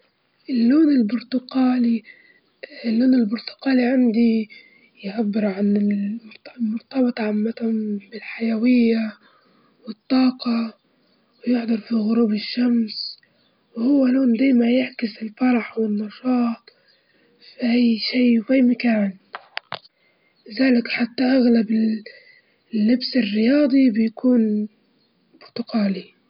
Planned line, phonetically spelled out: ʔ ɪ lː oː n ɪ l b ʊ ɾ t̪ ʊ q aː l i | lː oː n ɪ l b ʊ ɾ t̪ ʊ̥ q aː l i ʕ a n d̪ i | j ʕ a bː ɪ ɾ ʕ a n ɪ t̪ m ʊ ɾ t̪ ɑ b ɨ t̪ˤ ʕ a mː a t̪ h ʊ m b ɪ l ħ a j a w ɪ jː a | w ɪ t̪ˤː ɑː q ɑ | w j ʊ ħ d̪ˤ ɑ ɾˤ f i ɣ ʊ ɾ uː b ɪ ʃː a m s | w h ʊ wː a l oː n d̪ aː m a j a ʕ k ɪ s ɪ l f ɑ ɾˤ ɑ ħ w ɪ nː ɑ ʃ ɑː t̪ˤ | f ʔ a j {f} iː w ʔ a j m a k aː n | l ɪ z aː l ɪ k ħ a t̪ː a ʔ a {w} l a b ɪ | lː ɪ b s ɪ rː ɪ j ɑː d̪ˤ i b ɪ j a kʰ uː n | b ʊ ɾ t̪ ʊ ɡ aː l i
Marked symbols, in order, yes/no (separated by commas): no, no